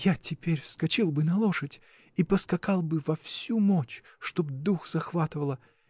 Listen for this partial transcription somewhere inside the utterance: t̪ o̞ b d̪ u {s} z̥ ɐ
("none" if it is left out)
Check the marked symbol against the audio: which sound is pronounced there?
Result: x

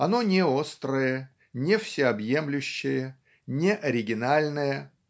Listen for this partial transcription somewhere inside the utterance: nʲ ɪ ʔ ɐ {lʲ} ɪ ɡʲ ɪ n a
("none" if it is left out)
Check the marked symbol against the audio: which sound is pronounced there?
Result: ɾʲ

